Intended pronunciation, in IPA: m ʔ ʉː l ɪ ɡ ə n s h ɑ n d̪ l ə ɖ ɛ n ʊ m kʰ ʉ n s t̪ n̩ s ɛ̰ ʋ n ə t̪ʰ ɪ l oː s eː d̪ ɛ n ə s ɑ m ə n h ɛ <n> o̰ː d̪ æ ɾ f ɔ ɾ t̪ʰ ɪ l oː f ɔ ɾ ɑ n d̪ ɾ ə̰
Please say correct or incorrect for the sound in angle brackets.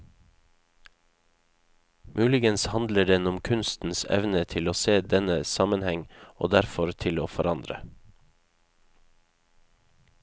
incorrect